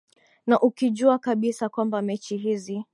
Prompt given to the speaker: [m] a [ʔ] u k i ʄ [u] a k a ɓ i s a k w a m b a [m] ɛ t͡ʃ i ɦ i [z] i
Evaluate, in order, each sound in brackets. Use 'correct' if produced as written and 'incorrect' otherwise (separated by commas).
incorrect, correct, correct, correct, correct